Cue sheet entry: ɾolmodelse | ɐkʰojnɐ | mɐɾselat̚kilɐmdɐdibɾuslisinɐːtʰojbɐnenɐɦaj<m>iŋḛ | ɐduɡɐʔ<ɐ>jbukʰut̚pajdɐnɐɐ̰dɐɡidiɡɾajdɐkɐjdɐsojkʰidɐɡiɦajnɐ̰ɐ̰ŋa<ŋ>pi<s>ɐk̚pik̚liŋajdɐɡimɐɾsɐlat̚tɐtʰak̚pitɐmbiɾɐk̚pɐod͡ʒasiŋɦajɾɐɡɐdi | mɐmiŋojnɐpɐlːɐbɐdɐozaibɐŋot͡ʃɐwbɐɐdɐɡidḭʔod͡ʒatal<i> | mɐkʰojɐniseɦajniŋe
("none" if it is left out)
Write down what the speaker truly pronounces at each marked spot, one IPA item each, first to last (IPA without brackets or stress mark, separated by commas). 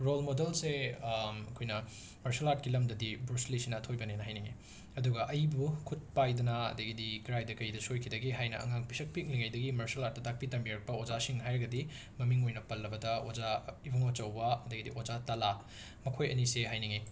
n, ɐ, ŋ, s, a